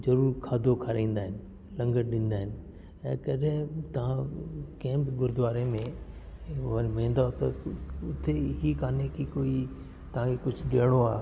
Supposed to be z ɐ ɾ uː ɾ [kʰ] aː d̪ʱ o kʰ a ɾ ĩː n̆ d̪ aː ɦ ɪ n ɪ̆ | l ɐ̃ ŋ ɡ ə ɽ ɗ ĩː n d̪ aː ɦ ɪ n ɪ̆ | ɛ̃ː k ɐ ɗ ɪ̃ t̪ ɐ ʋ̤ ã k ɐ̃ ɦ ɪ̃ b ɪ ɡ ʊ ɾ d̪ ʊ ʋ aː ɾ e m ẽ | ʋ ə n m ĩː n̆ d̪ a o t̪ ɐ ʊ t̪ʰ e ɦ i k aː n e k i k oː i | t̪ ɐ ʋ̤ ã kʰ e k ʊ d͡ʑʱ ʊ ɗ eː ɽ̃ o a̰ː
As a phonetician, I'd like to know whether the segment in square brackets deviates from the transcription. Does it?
no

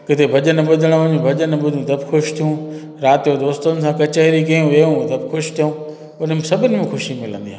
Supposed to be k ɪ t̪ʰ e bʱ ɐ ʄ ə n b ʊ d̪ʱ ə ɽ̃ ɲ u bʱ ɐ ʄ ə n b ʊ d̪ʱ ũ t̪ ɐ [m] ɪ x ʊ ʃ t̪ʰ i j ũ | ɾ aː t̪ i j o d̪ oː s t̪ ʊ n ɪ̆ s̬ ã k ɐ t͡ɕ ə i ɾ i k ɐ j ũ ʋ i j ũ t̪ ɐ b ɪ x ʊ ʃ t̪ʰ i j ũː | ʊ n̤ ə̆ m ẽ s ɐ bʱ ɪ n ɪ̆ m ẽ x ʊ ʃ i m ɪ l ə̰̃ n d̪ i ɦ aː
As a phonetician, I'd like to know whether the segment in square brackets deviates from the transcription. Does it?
yes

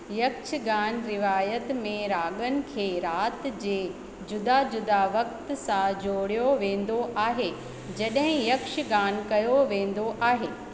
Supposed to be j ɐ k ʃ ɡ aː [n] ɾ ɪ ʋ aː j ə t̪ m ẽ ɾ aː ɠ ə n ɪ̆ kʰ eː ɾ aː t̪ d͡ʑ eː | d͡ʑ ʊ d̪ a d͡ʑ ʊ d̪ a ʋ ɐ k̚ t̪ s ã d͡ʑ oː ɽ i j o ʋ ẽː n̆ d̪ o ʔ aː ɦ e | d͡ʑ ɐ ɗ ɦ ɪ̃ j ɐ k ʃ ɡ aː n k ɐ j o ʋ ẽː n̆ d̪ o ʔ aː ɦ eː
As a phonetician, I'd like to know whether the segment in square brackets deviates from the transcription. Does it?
no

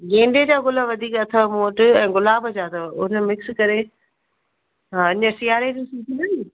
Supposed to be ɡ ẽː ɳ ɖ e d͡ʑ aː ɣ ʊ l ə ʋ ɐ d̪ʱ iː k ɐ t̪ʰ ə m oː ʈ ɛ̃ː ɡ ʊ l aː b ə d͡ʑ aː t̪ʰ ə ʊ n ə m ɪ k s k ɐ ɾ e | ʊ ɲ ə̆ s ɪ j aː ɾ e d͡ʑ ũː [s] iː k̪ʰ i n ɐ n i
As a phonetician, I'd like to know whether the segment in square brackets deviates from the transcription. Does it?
no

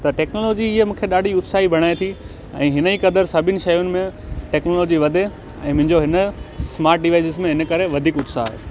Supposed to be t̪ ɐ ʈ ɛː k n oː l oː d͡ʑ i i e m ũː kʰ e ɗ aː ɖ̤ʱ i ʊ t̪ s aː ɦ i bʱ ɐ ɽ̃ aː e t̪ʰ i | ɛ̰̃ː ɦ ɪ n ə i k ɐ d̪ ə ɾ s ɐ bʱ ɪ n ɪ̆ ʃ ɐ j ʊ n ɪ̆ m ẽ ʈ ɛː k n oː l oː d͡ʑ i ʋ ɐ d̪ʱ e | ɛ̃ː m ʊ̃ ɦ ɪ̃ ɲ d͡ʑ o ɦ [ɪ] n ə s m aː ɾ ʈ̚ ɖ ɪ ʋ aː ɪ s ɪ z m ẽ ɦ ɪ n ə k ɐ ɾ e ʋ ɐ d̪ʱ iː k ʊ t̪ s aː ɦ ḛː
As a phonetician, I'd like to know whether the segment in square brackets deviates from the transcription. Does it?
no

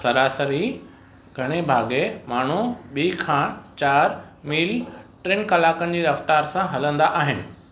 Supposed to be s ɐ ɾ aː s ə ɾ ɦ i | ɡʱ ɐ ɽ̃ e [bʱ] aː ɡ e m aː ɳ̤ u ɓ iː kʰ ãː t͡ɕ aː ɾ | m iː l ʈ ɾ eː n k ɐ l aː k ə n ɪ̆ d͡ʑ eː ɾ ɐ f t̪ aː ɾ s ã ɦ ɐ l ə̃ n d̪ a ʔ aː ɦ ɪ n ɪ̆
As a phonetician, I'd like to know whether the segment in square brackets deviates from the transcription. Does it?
no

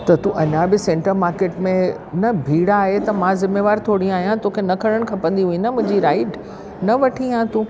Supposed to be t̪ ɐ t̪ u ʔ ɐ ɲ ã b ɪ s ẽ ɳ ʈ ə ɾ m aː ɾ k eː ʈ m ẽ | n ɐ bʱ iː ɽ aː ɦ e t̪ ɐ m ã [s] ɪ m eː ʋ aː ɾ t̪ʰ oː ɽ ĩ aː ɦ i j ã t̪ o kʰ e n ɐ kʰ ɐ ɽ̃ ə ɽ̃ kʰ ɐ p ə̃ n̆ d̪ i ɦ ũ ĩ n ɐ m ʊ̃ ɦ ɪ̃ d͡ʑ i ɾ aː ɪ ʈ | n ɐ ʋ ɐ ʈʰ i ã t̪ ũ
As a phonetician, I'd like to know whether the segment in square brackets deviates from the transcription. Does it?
yes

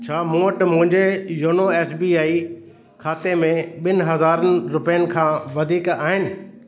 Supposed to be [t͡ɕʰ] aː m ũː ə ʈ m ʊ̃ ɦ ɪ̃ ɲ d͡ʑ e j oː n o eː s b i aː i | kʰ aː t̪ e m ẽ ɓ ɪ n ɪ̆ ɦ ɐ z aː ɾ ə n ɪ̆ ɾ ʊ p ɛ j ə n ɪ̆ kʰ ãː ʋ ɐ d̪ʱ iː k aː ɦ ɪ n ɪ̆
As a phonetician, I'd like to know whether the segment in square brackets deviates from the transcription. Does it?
no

